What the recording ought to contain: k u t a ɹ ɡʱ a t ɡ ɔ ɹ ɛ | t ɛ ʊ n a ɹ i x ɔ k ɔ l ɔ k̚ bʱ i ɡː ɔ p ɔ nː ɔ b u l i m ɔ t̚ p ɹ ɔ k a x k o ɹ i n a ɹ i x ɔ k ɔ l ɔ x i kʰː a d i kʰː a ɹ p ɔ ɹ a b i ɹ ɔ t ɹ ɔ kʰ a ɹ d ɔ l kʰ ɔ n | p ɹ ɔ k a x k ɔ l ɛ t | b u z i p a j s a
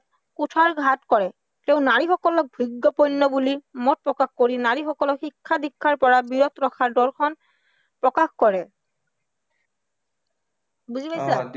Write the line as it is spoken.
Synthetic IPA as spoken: k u tʰ a ɹ ɡʱ a t k ɔ ɹ ɛ | t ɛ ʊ n a ɹ i x ɔ k ɔ l ɔ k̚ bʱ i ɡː ɔ p ɔ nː ɔ b u l i m ɔ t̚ p ɹ ɔ k a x k o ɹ i n a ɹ i x ɔ k ɔ l ɔ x i kʰː a d i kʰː a ɹ p ɔ ɹ a b i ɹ ɔ t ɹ ɔ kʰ a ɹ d ɔ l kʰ ɔ n | p ɹ ɔ k a x k ɔ ɹ ɛ | b u z i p a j s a